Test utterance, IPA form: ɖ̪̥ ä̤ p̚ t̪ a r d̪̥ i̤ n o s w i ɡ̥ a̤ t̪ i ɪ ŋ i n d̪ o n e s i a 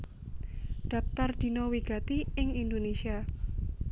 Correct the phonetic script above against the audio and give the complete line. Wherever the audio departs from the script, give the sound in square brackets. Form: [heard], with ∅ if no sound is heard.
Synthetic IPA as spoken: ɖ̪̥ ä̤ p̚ t̪ a r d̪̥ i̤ n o [∅] w i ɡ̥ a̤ t̪ i ɪ ŋ i n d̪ o n e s i a